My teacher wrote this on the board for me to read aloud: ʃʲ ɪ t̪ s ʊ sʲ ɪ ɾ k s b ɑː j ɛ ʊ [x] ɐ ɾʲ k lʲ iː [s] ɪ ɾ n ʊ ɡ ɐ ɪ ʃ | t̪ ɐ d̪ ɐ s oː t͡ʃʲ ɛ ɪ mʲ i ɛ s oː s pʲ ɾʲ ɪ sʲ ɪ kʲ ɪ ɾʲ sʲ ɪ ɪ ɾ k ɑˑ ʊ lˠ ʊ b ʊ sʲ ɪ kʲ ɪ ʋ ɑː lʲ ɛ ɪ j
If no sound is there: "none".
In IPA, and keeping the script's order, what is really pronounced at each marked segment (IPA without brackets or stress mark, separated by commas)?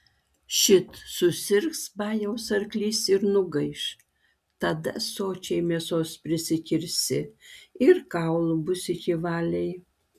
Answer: s, s